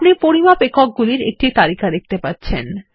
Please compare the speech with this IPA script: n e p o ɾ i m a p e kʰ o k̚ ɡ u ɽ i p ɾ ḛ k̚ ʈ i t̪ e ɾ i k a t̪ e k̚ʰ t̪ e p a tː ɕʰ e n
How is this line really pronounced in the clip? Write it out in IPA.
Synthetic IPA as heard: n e p o ɾ i m a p e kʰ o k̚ ɡ u l i ɾ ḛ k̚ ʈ i t̪ a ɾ i k a d̪ e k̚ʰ t̪ e p a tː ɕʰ e n